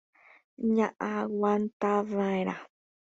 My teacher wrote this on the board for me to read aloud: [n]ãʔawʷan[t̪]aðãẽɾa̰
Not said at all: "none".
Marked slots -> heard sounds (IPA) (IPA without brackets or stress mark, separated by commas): ɲ, t̪